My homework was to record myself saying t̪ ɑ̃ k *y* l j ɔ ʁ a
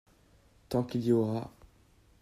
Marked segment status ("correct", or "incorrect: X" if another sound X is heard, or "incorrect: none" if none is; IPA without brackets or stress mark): incorrect: i